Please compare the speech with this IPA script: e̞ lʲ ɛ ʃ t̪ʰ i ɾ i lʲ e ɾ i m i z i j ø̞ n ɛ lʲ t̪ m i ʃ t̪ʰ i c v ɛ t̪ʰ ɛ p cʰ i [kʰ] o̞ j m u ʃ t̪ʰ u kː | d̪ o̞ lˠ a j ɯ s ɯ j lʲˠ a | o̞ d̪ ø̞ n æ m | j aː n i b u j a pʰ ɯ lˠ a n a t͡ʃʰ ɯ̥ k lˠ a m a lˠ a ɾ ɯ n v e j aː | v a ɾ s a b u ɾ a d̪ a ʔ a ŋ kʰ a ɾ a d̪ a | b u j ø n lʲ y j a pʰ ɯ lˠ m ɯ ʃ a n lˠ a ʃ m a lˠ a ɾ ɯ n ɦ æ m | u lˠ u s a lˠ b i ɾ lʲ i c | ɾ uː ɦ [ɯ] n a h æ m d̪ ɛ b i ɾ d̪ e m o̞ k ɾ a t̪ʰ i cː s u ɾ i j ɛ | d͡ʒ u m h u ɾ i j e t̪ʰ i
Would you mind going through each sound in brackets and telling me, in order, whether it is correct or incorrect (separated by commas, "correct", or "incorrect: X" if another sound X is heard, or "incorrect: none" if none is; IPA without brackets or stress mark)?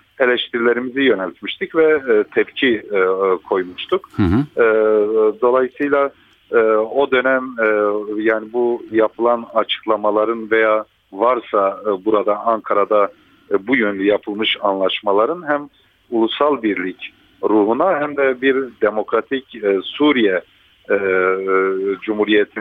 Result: correct, incorrect: u